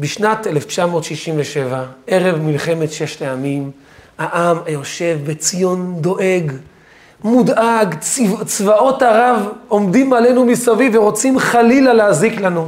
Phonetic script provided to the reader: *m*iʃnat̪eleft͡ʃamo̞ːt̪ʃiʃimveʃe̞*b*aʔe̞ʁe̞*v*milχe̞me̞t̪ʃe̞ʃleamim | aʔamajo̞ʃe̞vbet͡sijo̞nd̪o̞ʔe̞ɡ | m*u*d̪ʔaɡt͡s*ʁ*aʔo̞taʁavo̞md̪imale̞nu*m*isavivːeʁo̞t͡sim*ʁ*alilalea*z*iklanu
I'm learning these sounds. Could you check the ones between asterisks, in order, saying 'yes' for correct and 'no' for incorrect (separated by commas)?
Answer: no, no, yes, yes, no, yes, no, yes